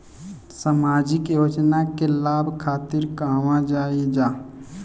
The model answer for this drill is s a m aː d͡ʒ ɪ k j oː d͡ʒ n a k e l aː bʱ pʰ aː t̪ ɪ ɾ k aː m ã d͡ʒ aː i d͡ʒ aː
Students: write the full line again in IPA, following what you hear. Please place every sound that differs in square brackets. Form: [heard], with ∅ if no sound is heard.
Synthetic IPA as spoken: s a m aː d͡ʒ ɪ k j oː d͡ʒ n a k e l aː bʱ [kʰ] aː t̪ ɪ ɾ k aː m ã d͡ʒ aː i d͡ʒ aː